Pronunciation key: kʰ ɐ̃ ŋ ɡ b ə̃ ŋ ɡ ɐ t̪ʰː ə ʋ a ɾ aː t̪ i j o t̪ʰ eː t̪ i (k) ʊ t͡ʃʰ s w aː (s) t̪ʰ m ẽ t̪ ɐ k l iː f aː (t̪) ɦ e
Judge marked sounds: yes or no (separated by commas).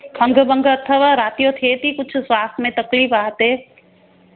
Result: yes, yes, yes